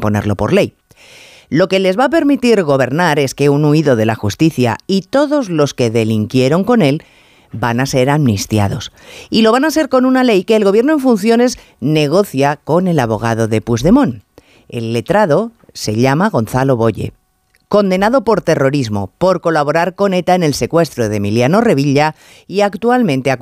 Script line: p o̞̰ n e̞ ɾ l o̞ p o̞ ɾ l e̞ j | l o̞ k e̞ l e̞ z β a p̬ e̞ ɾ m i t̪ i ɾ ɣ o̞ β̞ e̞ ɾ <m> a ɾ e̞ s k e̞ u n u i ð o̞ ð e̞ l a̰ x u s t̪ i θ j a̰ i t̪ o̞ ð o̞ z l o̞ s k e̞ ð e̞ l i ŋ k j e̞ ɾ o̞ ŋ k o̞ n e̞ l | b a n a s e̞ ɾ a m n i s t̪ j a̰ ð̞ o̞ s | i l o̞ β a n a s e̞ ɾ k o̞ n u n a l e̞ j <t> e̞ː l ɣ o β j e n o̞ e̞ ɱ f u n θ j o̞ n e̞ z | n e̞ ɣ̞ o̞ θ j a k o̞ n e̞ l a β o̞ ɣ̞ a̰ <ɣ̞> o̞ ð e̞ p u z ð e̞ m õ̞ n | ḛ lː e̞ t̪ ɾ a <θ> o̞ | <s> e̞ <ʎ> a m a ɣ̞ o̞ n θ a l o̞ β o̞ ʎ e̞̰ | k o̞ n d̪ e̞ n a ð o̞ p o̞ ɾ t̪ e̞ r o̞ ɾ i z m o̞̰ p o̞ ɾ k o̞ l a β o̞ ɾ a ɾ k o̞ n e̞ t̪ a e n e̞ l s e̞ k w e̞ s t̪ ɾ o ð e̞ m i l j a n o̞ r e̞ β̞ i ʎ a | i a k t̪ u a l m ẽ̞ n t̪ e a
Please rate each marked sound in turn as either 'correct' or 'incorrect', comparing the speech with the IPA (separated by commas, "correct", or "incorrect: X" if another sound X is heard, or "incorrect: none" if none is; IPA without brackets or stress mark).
incorrect: n, incorrect: k, incorrect: ð̞, incorrect: ð, correct, correct